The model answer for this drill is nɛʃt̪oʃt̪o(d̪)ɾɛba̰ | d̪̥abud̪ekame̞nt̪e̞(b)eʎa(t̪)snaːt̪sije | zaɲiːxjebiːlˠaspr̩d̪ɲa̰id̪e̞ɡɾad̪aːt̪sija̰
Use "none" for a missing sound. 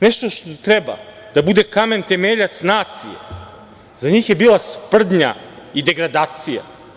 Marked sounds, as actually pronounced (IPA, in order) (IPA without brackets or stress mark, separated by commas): t̪, m, t̪